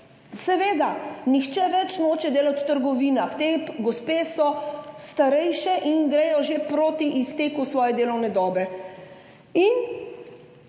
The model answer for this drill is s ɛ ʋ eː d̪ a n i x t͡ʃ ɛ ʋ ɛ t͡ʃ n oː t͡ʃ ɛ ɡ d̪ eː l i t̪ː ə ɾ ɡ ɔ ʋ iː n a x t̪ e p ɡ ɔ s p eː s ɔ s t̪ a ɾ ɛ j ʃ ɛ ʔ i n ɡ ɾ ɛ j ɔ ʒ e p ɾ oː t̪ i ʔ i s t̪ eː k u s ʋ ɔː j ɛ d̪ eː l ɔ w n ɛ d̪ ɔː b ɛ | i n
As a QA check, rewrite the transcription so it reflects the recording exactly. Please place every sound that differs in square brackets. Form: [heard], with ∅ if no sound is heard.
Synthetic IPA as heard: s ɛ ʋ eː d̪ a n i x t͡ʃ ɛ ʋ ɛ t͡ʃ n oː t͡ʃ ɛ [∅] d̪ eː l [a] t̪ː ə ɾ ɡ ɔ ʋ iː n a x t̪ e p ɡ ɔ s p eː s ɔ s t̪ a ɾ ɛ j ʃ ɛ ʔ i n ɡ ɾ ɛ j ɔ ʒ e p ɾ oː t̪ i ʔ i s t̪ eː k u s ʋ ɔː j ɛ d̪ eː l ɔ w n ɛ d̪ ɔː b ɛ | i n